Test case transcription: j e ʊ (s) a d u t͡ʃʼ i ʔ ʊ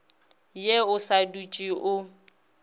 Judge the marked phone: correct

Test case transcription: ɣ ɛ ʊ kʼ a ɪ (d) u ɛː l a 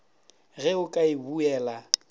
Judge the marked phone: incorrect: b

